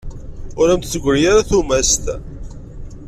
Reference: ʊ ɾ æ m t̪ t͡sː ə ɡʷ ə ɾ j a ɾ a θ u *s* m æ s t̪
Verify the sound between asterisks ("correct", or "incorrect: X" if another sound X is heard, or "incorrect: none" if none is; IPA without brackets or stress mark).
incorrect: none